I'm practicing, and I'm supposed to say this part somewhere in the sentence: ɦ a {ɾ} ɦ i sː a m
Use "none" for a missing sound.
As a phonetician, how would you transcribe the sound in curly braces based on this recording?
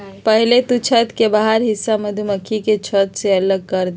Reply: ɾ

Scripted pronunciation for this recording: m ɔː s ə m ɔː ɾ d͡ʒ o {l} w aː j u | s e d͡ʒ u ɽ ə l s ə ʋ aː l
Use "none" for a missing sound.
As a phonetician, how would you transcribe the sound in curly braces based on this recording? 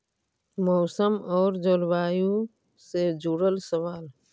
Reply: l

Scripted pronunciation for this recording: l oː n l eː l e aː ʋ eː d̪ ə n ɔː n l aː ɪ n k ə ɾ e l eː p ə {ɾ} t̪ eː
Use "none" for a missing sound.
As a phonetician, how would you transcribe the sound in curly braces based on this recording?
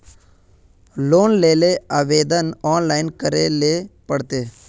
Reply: ɽ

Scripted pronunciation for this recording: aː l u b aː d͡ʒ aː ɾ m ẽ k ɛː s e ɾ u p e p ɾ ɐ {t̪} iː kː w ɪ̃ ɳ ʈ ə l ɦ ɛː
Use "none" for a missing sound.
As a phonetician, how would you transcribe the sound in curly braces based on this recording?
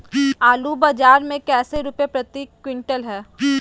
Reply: t̪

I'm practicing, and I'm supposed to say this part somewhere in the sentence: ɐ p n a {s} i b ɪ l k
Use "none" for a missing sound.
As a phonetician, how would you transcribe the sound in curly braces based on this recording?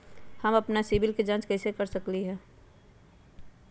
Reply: s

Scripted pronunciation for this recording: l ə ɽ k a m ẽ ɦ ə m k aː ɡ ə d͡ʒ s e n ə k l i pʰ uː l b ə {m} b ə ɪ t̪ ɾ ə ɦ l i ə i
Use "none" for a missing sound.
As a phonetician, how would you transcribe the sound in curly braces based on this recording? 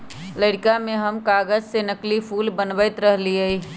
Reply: n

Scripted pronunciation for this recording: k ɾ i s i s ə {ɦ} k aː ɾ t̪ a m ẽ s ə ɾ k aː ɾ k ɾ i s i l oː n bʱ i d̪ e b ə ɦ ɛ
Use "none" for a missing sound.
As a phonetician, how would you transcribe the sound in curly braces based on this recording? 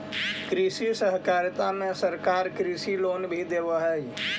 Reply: ɦ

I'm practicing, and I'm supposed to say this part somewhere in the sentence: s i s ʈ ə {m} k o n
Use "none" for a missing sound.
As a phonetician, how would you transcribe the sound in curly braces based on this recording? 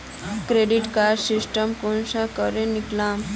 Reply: m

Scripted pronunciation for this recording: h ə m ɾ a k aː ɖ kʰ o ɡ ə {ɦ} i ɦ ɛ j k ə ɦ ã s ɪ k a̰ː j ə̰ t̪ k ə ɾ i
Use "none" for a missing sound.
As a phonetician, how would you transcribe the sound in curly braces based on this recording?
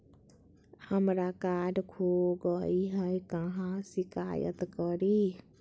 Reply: none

